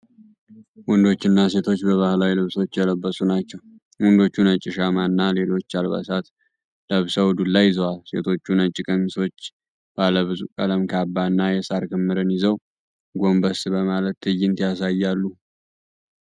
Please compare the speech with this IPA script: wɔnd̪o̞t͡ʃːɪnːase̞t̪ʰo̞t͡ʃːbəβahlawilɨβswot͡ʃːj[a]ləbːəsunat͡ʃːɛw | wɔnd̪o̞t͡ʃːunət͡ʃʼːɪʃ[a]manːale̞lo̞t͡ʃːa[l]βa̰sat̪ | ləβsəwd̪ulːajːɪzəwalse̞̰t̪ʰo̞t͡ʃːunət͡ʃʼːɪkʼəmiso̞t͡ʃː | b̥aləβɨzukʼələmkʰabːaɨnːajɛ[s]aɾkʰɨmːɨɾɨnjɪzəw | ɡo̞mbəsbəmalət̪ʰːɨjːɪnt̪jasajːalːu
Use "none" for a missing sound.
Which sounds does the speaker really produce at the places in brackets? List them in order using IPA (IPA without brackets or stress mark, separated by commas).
ɛ, a, l, s